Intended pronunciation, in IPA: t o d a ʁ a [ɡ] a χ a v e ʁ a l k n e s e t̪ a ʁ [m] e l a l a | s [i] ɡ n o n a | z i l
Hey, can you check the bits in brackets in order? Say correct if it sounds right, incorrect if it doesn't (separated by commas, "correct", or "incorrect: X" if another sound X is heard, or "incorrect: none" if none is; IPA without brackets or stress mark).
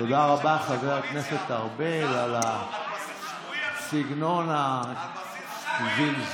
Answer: incorrect: b, incorrect: b, correct